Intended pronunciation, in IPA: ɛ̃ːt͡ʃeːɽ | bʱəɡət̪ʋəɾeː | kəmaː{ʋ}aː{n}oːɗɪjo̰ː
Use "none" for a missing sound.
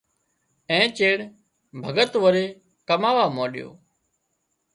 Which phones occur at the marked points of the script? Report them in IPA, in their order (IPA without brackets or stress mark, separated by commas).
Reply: ʋ, m